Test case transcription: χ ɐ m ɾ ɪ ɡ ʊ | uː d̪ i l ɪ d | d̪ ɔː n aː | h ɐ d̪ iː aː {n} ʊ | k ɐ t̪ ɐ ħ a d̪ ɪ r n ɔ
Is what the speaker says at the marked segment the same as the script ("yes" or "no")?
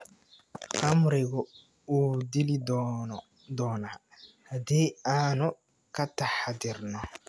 yes